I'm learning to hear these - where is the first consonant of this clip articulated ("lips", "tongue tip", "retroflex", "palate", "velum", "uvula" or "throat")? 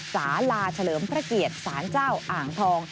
tongue tip